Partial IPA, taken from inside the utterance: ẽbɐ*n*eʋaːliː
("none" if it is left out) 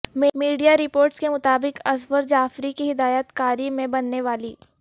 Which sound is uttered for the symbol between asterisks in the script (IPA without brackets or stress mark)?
nː